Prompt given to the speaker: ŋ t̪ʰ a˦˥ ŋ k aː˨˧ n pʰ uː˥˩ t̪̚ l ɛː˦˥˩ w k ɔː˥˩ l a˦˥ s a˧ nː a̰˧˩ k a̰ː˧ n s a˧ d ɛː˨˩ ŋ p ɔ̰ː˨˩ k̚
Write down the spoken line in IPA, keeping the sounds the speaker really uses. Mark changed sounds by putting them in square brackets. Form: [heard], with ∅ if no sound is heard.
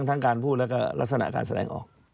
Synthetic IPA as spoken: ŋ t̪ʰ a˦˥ ŋ k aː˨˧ n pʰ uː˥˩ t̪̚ l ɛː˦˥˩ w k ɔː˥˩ l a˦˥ s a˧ [n] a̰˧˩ k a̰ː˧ n s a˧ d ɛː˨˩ ŋ [ʔ] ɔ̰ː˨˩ k̚